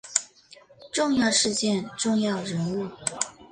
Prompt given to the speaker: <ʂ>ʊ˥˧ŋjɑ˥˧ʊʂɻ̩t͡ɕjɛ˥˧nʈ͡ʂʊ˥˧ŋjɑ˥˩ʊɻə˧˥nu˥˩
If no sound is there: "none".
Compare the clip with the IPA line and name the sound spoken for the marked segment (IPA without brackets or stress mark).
ʈ͡ʂ